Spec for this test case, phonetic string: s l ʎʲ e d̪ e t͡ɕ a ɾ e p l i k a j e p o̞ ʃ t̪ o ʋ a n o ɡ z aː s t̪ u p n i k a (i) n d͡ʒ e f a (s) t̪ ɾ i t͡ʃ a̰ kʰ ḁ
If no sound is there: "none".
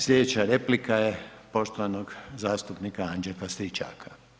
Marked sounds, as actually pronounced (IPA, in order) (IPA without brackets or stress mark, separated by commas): a, s